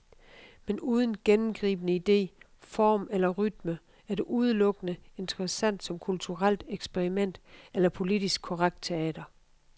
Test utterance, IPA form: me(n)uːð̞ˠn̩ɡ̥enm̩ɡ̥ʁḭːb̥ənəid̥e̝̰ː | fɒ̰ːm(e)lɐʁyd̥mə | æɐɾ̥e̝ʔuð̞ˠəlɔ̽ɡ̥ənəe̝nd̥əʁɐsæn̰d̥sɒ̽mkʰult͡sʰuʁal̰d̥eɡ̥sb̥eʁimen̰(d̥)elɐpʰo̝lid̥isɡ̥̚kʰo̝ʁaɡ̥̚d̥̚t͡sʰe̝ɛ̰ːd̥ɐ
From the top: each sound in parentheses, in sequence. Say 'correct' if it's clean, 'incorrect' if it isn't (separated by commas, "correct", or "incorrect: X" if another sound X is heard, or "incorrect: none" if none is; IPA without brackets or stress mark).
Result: correct, correct, correct